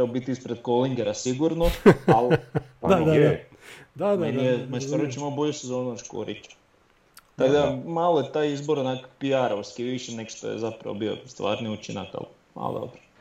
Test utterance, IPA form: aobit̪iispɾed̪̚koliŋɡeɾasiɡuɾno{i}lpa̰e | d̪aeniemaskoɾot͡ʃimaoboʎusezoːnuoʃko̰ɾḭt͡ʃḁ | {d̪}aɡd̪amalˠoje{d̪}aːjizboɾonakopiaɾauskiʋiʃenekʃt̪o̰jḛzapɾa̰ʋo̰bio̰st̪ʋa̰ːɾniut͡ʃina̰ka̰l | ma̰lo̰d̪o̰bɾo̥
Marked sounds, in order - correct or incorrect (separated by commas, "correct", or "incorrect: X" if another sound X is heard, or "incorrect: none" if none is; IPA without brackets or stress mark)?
incorrect: a, incorrect: t̪, incorrect: t̪